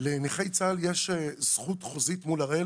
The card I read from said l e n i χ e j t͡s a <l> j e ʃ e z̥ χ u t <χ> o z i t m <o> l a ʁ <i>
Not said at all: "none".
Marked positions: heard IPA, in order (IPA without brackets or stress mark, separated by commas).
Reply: l, χ, u, e